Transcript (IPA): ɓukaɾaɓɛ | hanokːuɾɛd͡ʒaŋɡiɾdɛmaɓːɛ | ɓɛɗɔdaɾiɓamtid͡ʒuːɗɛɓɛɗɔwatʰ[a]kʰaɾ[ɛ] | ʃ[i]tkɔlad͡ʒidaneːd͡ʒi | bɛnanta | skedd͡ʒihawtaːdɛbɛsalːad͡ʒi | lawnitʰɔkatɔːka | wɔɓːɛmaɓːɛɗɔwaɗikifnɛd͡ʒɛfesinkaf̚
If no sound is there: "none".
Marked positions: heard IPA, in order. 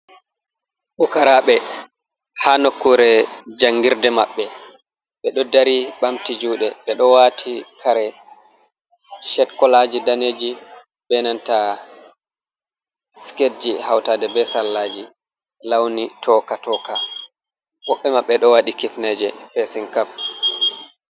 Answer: i, ɛ, ɛ

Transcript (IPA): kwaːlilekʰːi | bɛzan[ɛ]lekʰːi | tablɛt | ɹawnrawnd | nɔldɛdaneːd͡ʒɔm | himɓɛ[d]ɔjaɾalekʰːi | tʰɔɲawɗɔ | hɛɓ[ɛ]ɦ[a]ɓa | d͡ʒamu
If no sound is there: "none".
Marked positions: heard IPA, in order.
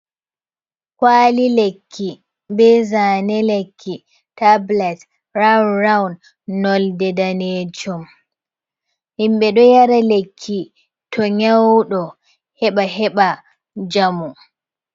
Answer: ɛ, ɗ, a, ɛ

